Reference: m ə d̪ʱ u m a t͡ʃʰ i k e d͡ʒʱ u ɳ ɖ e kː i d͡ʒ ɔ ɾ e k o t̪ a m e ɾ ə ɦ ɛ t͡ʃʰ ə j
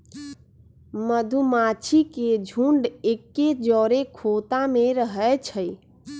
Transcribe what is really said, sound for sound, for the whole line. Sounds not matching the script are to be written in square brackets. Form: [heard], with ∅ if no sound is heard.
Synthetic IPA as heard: m ə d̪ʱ u m a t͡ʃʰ i k e d͡ʒʱ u ɳ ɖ e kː [e] d͡ʒ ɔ ɾ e [kʰ] o t̪ a m e ɾ ə ɦ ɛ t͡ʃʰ ə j